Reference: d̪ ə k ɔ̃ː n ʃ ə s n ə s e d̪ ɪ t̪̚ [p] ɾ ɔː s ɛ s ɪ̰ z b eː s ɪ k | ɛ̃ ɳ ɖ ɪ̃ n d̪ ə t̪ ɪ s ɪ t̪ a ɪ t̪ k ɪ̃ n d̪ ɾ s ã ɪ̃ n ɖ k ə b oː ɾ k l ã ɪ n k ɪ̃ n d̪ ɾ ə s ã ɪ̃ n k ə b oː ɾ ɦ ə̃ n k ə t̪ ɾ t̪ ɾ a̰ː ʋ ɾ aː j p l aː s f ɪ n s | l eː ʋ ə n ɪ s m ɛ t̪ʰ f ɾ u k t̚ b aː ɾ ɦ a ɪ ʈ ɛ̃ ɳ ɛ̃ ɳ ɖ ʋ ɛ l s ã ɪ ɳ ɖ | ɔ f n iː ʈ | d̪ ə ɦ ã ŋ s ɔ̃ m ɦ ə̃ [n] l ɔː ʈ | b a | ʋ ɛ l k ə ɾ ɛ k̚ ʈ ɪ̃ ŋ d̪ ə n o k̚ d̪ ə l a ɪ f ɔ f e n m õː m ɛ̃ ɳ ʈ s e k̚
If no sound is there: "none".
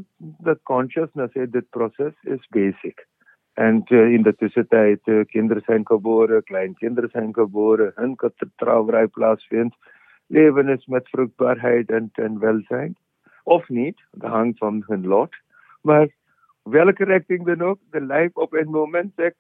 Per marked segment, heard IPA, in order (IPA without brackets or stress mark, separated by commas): p, n